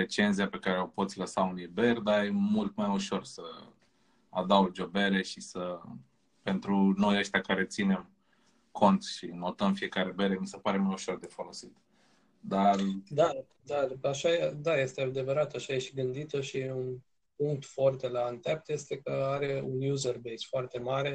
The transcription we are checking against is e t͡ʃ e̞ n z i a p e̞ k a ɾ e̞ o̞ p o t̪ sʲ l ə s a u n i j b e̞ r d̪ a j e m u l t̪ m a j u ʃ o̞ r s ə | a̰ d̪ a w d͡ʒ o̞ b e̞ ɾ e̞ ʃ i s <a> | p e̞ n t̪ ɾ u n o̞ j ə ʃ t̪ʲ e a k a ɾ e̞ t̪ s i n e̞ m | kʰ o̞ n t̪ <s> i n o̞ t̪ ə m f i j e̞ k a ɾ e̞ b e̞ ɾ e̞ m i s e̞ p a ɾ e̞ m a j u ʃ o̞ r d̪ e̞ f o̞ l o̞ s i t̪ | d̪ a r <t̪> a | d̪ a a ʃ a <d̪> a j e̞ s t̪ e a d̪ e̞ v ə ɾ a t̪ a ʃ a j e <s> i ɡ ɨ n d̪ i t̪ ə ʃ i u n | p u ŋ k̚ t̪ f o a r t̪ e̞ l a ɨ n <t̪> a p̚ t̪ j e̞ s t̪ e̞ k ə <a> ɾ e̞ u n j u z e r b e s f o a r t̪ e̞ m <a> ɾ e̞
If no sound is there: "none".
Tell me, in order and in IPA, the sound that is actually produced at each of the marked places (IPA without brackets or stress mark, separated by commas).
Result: ə, ʃ, d̪, d̪, ʃ, t̪, a, a